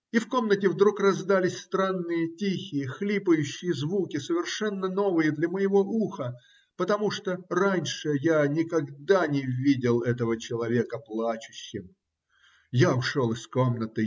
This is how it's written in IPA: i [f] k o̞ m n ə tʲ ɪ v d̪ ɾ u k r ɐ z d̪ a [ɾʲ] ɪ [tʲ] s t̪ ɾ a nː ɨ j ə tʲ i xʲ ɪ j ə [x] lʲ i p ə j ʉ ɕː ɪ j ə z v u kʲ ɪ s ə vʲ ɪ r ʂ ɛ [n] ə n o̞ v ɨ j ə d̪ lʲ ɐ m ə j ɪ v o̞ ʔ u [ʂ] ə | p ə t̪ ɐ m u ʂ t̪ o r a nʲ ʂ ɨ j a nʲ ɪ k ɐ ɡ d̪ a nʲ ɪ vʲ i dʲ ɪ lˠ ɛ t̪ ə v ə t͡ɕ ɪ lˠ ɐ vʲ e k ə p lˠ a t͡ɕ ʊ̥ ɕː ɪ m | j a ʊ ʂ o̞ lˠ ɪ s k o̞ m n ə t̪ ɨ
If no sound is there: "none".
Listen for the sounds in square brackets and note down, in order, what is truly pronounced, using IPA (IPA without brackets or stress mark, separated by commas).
f, lʲ, sʲ, x, nː, x